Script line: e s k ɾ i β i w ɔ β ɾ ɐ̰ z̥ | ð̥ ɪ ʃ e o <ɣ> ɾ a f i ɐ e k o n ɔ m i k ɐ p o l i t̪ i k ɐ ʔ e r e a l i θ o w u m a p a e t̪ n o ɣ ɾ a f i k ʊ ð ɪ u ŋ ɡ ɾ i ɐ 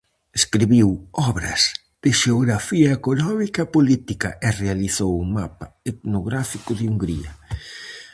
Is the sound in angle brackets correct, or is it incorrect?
correct